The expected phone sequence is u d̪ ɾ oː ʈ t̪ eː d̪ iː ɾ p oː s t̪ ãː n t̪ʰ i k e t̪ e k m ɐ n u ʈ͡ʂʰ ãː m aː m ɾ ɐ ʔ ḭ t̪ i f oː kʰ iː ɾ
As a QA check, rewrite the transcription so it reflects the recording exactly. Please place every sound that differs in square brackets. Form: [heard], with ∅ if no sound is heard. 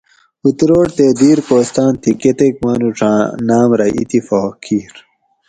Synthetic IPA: u [t̪] ɾ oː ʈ t̪ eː d̪ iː ɾ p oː s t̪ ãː n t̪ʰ i k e t̪ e k m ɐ n u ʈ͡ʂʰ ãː [n] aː m ɾ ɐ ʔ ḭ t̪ i f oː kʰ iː ɾ